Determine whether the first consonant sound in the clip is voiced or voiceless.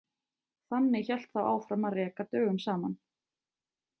voiceless